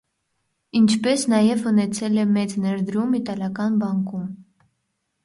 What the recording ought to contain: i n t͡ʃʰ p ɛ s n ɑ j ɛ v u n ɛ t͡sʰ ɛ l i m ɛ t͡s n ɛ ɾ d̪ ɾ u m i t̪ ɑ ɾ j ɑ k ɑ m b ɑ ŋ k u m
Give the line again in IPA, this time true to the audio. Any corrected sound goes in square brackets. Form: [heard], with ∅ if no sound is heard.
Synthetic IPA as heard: i n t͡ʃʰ p ɛ s n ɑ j ɛ v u n ɛ t͡sʰ ɛ l [ɛ] m ɛ t͡s n ɛ ɾ d̪ ɾ u m i t̪ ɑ [l] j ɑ k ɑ [n] b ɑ ŋ k u m